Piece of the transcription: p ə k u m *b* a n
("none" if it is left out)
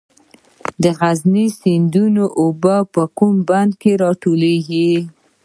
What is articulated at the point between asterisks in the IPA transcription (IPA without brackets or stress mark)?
b